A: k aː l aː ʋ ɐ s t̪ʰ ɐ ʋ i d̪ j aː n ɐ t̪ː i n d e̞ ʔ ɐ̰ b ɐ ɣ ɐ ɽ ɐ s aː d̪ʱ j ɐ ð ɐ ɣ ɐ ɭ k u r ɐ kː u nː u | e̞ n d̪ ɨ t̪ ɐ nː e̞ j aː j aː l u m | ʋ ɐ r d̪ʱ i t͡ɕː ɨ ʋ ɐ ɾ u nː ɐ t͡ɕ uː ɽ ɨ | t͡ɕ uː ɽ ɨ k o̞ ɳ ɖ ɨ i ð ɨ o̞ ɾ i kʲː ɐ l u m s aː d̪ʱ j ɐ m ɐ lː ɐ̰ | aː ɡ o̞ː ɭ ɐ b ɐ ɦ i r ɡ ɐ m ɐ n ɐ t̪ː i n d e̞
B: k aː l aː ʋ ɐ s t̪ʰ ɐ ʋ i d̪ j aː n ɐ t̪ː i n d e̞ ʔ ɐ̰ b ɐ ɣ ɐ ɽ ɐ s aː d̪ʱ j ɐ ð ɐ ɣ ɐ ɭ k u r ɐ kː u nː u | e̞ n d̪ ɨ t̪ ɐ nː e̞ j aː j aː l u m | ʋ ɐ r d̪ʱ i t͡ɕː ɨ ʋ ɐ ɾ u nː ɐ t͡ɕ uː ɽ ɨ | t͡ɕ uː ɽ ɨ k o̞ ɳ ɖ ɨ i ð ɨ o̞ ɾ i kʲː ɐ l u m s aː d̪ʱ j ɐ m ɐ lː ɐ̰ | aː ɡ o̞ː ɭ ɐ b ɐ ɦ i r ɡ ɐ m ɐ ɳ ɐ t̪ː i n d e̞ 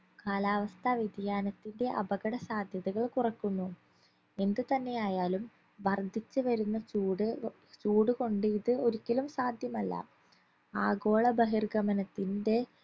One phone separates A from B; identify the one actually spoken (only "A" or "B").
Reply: A